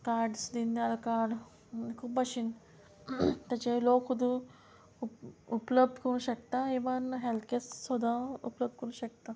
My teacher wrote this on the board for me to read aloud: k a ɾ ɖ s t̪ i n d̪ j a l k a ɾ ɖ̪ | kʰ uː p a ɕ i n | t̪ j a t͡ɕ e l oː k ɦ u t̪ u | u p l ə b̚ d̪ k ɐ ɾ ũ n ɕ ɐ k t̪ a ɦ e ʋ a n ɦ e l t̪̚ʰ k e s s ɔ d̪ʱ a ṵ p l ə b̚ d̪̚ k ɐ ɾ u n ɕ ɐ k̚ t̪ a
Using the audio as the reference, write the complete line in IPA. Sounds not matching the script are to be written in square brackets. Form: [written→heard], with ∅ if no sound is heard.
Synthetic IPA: k a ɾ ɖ s [t̪→d̪] i n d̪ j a l k a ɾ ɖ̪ | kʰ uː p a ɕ i n | t̪ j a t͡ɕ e l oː k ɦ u [t̪→d̪] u | u p l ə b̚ d̪ k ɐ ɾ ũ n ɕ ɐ k t̪ a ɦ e ʋ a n ɦ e l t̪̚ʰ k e s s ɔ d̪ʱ a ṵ p l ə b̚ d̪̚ k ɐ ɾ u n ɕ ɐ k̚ t̪ a